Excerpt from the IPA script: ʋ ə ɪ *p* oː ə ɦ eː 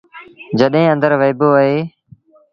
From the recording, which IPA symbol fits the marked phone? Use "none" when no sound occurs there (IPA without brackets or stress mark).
b